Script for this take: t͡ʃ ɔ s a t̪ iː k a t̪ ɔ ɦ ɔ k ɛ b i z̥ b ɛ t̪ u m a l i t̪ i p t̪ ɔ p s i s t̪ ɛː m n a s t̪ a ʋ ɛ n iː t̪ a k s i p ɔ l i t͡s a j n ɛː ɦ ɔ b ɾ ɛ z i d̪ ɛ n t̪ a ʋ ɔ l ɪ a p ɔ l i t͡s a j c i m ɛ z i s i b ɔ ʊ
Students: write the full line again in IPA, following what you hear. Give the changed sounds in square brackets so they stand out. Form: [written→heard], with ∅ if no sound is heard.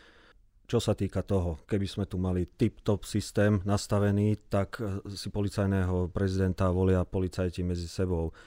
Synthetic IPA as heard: t͡ʃ ɔ s a t̪ iː k a t̪ ɔ ɦ ɔ k ɛ b i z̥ [b→m] ɛ t̪ u m a l i t̪ i p t̪ ɔ p s i s t̪ ɛː m n a s t̪ a ʋ ɛ n iː t̪ a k s i p ɔ l i t͡s a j n ɛː ɦ ɔ [b→p] ɾ ɛ z i d̪ ɛ n t̪ a ʋ ɔ l ɪ a p ɔ l i t͡s a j c i m ɛ [z→d͡z] i s [i→ɛ] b ɔ ʊ